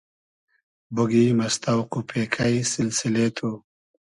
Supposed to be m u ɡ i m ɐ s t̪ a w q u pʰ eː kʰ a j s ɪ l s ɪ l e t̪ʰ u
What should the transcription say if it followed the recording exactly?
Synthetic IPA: b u ɡ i m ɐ s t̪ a w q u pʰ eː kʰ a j s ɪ l s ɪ l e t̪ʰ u